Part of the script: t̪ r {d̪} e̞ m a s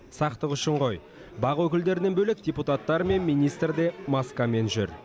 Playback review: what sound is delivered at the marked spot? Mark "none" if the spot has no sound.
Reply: d̪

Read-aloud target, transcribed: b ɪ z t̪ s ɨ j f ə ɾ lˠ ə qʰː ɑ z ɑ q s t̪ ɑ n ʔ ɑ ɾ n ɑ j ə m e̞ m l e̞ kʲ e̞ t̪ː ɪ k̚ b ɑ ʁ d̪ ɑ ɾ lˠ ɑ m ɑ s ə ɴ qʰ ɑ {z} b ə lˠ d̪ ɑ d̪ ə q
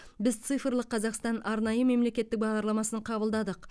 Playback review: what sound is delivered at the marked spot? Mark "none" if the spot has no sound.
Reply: none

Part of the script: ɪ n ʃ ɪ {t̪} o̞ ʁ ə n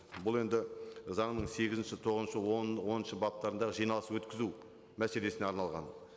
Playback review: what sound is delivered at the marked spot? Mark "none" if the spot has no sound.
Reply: t̪ʰ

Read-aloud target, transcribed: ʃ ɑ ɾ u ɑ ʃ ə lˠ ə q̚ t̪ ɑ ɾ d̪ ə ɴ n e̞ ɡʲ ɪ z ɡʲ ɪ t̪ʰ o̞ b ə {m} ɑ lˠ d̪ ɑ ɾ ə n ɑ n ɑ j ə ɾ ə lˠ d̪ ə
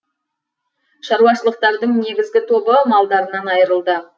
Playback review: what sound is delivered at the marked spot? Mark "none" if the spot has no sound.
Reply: m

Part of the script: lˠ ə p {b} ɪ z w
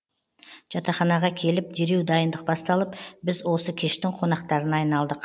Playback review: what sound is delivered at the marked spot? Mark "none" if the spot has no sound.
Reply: b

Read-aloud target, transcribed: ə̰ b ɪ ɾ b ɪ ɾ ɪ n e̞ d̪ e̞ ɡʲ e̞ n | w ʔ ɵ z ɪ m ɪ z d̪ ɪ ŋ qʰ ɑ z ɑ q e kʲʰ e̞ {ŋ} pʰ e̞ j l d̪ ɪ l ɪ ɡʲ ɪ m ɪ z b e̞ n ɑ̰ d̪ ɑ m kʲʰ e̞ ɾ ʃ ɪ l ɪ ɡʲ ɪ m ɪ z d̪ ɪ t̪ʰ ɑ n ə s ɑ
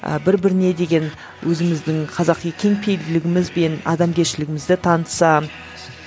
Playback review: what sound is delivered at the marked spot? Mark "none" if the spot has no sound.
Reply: ŋ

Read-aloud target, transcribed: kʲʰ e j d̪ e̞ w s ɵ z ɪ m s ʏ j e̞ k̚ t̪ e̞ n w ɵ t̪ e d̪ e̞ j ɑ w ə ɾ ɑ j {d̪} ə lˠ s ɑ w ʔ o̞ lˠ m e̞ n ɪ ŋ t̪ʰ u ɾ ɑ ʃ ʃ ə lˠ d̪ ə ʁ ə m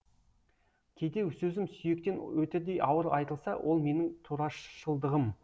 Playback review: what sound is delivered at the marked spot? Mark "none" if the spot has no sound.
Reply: t̪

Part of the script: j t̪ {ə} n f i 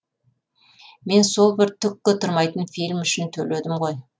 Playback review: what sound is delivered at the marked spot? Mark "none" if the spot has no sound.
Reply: ə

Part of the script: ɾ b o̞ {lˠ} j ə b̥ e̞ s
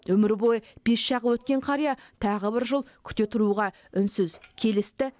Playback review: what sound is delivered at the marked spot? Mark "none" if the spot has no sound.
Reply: none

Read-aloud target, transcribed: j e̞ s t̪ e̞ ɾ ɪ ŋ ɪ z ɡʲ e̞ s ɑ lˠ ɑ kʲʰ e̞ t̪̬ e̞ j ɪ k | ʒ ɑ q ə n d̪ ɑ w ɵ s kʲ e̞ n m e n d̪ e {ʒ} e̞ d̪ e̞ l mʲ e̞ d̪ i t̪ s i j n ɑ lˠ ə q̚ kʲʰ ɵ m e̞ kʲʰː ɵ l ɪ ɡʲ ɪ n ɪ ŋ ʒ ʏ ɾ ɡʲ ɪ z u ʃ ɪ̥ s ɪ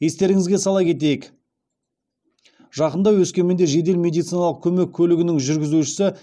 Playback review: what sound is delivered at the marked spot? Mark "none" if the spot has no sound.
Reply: ʒ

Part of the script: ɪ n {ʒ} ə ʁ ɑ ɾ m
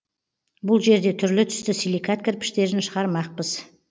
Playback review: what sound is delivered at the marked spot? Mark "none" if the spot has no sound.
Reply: ʃ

